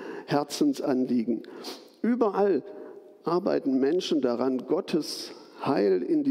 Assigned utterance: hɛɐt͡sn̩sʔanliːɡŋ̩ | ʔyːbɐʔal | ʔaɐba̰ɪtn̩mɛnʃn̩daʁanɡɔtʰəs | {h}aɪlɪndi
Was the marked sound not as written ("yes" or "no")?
no